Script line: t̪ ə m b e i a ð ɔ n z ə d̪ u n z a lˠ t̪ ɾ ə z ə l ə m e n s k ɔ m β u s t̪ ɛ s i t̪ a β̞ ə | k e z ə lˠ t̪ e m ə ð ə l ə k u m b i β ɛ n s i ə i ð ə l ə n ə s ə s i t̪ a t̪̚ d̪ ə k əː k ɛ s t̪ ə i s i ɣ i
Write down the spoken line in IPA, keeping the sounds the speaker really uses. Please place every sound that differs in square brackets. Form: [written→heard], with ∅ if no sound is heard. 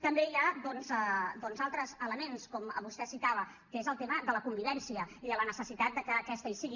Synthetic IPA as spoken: t̪ ə m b e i a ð ɔ n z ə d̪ [u→ɔ] n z a lˠ t̪ ɾ ə z ə l ə m e n s k ɔ m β u s t̪ ɛ s i t̪ a β̞ ə | k e z ə lˠ t̪ e m ə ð ə l ə k u m b i β ɛ n s i ə i ð ə l ə n ə s ə s i t̪ a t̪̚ d̪ ə k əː k ɛ s t̪ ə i s i ɣ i